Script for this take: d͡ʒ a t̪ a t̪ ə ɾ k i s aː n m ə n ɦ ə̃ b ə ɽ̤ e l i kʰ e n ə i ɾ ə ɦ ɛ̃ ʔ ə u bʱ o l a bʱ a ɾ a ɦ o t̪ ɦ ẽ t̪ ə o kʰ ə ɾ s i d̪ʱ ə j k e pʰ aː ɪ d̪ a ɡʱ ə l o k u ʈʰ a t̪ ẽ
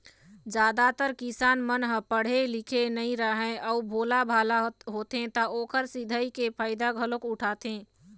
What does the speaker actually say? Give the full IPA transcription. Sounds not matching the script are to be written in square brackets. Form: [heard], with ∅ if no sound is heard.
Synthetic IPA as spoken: d͡ʒ a [d̪] a t̪ ə ɾ k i s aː n m ə n ɦ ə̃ [p] ə ɽ̤ e l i kʰ e n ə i ɾ ə ɦ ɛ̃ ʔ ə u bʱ o l a bʱ a [l] a ɦ o t̪ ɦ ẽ t̪ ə o [k] ə ɾ s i d̪ʱ ə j k e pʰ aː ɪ d̪ a ɡʱ ə l o k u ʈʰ a t̪ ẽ